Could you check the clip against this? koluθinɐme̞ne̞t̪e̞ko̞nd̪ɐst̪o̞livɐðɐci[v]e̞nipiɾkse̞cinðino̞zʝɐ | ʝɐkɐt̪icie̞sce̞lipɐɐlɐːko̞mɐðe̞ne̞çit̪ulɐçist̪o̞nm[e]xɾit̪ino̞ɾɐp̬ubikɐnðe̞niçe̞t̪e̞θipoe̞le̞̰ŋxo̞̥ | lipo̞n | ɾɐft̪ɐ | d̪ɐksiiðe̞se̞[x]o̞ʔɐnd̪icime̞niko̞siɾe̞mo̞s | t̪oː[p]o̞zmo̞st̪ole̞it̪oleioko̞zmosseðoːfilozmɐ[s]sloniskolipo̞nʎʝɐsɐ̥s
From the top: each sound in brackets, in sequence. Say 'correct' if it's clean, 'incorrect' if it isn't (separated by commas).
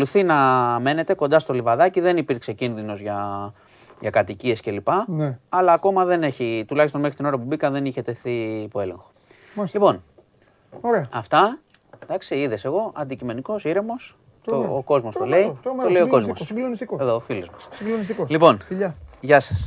incorrect, correct, incorrect, incorrect, correct